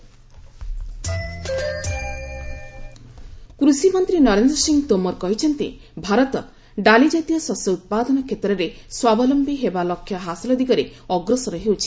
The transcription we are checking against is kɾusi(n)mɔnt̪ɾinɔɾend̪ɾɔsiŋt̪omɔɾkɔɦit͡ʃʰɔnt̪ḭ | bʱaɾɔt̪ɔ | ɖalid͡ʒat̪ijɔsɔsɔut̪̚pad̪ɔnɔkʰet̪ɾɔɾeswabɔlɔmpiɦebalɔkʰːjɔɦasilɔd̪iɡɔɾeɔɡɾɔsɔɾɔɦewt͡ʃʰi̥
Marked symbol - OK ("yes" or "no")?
no